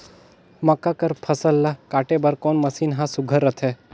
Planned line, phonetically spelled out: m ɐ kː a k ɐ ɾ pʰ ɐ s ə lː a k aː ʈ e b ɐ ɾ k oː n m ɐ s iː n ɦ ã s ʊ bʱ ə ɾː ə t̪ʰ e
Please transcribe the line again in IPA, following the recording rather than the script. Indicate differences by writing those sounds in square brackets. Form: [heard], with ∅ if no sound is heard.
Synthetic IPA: m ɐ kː a k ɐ ɾ pʰ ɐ s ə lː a k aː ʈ e b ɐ ɾ k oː n m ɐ s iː n ɦ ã s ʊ [ɡʱ] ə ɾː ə t̪ʰ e